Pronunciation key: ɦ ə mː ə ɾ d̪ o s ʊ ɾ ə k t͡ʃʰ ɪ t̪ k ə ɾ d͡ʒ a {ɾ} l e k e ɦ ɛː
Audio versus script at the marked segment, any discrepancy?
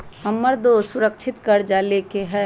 yes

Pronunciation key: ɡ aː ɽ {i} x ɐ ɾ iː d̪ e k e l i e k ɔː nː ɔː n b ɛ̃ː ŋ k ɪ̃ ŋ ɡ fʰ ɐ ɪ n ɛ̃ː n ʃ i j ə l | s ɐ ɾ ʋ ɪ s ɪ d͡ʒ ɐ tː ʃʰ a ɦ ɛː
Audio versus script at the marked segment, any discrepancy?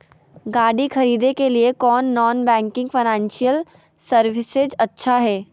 no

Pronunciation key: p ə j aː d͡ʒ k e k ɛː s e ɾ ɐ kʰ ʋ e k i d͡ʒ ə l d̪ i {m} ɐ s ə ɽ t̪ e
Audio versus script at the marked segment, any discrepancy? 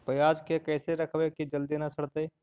yes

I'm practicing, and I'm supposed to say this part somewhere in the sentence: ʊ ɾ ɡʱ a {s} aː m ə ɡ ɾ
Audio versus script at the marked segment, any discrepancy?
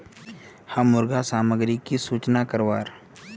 no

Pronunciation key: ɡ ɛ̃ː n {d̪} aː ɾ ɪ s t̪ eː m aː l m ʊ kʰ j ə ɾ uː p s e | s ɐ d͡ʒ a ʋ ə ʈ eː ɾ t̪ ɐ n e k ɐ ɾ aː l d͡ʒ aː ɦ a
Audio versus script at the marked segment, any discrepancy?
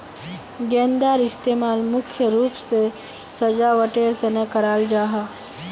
no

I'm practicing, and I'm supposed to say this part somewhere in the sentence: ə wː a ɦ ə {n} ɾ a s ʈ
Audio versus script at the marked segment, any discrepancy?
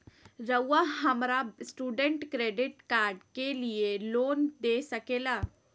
yes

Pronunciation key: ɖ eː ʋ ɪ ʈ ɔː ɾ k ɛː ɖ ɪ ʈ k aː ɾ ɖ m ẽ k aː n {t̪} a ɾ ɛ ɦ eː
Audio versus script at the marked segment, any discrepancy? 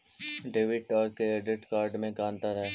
no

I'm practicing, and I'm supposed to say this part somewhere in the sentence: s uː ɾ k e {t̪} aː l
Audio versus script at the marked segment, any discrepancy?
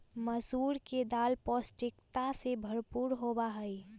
yes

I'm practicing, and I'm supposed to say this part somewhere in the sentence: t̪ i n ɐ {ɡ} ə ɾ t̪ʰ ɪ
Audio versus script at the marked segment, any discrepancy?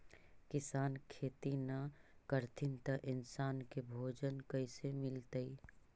yes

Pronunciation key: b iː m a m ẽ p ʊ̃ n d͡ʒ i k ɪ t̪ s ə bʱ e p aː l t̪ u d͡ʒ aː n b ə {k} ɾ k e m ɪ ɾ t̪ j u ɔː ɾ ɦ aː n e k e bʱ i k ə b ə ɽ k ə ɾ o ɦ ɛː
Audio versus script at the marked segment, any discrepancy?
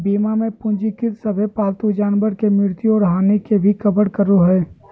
yes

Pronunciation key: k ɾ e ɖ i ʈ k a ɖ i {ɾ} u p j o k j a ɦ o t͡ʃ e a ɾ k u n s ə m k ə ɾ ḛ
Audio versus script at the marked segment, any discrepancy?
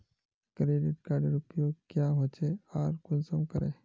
no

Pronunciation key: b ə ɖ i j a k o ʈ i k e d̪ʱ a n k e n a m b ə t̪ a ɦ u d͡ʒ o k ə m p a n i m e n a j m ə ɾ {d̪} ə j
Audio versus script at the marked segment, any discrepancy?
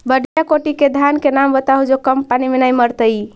yes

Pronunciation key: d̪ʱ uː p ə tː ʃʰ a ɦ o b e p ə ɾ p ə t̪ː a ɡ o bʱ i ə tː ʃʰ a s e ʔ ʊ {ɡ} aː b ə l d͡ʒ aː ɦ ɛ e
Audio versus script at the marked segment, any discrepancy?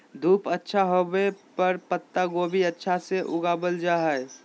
no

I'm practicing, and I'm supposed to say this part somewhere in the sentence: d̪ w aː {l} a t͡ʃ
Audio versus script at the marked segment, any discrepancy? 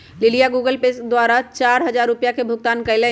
yes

